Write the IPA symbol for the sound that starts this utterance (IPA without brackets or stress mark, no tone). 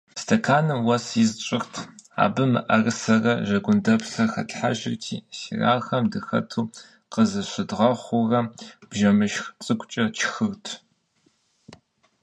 s